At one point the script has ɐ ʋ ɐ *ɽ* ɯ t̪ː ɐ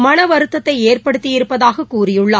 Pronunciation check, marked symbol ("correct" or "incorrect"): incorrect